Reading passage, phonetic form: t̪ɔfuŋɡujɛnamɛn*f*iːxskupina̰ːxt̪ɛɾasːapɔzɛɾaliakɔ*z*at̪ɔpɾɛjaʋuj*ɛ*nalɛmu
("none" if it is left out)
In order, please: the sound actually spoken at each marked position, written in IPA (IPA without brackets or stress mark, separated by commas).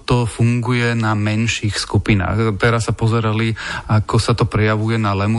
ʃ, s, ɛ